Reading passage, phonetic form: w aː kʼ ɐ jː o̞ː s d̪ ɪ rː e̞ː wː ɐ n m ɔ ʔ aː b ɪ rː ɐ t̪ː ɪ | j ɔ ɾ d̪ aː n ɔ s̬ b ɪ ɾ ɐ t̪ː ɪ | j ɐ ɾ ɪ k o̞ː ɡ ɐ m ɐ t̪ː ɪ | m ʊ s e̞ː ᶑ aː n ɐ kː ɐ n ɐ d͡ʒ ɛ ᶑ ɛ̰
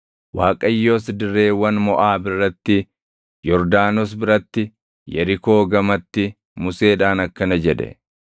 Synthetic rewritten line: w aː kʼ ɐ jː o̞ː s d̪ ɪ rː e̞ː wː ɐ n m ɔ ʔ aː b ɪ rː ɐ t̪ː ɪ | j ɔ ɾ d̪ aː n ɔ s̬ b ɪ ɾ ɐ t̪ː ɪ | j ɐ ɾ ɪ k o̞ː ɡ ɐ m ɐ t̪ː ɪ | m ʊ s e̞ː ᶑ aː n ɐ kː ɐ n ɐ d͡ʒ ɛ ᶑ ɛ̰